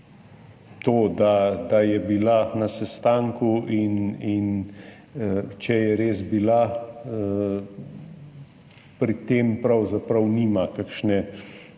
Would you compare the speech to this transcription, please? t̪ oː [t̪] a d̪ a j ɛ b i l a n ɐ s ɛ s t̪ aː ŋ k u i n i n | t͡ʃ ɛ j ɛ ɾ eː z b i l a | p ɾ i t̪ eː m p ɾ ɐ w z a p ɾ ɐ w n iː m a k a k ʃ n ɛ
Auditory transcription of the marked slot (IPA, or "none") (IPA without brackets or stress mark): d̪